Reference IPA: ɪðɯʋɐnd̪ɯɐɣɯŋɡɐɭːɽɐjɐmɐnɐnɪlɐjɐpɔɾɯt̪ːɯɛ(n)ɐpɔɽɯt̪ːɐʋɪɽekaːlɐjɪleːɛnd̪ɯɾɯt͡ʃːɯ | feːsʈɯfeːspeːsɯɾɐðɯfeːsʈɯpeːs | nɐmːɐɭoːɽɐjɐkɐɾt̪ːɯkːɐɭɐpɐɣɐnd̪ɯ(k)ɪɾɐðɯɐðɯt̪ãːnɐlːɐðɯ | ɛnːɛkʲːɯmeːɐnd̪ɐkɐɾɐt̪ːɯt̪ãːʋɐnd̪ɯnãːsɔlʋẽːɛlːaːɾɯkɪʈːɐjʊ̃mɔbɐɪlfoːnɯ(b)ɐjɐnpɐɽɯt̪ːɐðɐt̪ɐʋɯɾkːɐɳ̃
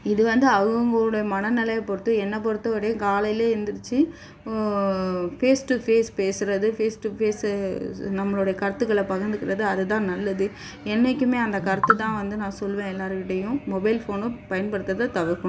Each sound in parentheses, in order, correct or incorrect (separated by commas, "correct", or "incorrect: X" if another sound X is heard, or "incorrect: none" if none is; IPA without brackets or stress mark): incorrect: nː, correct, incorrect: p